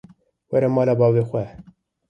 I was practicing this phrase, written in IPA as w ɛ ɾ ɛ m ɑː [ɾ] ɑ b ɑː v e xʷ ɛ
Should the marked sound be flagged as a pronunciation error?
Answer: yes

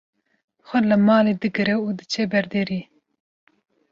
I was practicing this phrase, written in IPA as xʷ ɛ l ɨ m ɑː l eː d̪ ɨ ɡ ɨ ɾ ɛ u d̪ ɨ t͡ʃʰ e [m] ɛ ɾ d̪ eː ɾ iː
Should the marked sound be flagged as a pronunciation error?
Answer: yes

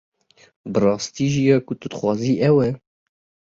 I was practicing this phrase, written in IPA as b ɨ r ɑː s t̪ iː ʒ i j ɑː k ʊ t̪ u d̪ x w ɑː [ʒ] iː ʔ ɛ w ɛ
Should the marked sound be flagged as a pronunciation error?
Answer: yes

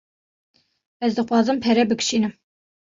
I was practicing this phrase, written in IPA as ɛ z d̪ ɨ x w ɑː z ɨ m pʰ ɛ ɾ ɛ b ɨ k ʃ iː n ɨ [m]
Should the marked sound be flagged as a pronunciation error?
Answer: no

